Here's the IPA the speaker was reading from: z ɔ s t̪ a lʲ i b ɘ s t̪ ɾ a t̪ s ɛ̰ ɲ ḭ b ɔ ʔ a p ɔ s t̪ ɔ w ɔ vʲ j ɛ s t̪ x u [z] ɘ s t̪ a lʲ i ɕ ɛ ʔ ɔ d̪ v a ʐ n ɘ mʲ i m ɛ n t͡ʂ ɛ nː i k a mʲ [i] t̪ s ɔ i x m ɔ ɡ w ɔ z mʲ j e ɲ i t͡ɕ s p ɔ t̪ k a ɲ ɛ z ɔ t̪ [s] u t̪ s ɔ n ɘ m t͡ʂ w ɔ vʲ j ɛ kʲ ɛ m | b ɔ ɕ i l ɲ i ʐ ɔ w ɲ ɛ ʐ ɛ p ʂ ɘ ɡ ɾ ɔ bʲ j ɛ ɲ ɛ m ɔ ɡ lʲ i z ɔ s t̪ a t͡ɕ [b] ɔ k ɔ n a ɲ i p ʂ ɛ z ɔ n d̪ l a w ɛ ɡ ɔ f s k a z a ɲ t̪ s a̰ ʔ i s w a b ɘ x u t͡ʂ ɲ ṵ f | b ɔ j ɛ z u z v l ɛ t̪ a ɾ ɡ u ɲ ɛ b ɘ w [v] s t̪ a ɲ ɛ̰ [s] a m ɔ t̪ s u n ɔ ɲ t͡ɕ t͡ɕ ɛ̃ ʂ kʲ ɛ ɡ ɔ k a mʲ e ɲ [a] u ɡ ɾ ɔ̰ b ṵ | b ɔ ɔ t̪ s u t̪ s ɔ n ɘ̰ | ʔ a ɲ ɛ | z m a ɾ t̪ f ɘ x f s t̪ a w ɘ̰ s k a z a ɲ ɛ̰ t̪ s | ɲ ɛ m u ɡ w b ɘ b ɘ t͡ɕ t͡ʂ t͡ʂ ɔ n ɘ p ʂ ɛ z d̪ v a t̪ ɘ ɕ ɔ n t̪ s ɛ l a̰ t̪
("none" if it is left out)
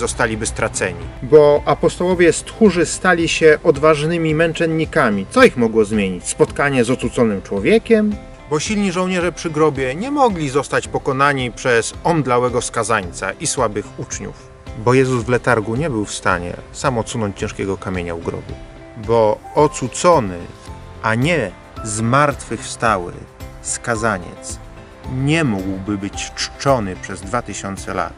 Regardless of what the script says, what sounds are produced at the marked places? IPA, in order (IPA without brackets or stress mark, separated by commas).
ʐ, i, s, p, f, s, a